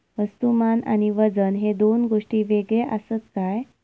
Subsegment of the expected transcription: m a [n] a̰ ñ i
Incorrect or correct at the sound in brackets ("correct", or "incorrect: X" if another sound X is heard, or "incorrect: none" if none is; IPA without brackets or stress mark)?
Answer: correct